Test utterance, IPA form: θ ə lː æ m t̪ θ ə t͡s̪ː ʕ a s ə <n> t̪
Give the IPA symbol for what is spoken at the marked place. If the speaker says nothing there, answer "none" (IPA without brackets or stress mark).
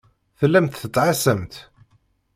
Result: m